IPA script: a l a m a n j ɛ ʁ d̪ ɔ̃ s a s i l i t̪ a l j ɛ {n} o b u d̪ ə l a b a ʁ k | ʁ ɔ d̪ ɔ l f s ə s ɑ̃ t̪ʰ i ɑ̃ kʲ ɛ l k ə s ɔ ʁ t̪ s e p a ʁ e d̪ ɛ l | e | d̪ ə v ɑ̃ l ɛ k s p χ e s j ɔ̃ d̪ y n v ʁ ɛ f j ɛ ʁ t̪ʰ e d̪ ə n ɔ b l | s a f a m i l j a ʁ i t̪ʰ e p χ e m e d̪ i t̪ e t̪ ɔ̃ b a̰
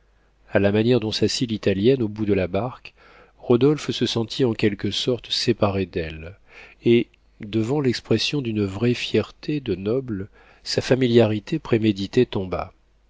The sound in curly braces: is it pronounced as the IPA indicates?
yes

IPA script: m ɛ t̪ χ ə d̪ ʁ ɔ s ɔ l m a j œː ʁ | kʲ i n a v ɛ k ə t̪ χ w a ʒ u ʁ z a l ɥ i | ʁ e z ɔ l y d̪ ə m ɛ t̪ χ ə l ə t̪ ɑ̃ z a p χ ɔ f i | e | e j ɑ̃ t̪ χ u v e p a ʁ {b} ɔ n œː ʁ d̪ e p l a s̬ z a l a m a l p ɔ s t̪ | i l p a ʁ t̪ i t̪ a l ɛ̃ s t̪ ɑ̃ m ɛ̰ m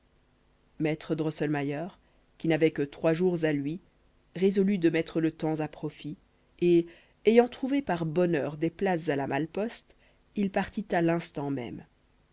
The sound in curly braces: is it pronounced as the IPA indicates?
yes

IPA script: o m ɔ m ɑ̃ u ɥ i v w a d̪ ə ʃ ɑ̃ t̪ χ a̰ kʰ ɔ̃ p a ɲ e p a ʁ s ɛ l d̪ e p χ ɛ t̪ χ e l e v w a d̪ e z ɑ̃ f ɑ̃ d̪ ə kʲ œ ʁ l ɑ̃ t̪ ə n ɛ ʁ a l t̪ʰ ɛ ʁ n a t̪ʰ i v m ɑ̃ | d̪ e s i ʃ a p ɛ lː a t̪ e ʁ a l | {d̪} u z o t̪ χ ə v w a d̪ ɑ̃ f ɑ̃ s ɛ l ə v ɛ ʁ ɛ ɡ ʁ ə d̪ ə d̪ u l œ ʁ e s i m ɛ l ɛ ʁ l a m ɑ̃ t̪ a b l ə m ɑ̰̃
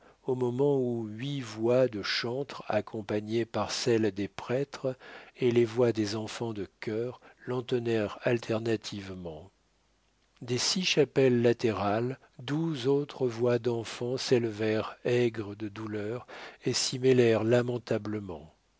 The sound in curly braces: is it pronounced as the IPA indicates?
yes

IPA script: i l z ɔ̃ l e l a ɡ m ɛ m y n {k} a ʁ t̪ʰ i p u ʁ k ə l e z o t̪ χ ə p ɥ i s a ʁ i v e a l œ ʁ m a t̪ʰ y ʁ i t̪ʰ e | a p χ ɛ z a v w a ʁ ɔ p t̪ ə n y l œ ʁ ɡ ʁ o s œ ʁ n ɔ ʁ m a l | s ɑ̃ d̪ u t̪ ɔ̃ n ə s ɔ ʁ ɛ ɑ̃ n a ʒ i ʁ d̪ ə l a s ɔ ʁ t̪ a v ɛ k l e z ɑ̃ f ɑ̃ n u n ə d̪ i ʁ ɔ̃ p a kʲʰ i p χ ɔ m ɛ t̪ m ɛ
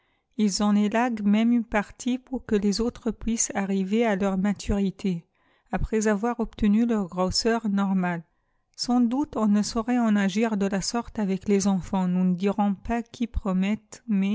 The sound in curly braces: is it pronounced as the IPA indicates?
no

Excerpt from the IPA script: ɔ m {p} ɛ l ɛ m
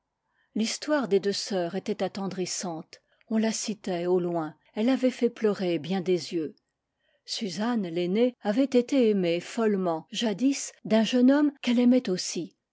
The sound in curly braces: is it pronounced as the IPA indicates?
no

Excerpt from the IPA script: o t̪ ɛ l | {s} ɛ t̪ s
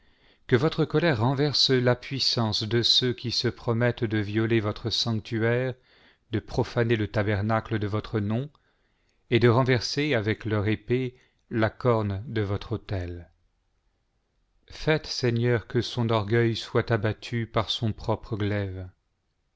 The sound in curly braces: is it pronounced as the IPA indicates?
no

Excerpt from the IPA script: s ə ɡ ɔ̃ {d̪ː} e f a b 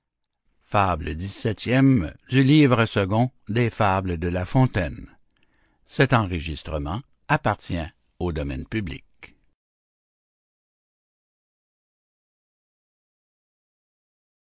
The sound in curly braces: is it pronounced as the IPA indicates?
no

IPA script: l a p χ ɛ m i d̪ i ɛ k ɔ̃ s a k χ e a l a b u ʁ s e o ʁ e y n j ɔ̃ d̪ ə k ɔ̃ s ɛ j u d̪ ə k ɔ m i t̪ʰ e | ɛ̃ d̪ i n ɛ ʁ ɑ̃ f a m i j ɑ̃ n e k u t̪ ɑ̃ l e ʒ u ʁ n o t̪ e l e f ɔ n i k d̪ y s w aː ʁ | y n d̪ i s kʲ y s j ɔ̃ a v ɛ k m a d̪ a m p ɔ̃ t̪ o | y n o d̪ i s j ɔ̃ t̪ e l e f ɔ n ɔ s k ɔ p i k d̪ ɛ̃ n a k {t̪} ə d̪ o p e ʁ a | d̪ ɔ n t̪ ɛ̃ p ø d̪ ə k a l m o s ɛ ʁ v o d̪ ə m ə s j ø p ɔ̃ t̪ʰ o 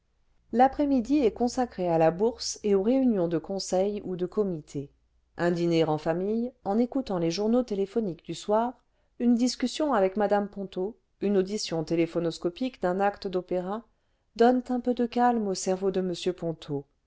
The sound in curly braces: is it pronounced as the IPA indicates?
yes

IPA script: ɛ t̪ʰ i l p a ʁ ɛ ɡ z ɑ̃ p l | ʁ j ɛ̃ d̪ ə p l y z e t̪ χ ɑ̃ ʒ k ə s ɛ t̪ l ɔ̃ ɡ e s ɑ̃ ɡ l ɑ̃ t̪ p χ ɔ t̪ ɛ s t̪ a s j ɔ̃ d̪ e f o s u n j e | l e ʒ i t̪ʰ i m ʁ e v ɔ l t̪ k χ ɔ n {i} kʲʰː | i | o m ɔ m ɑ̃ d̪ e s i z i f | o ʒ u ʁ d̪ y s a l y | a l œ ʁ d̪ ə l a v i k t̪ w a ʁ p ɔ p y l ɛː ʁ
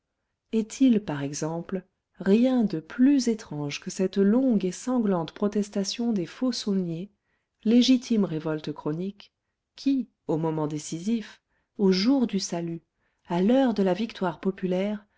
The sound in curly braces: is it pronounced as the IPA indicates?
yes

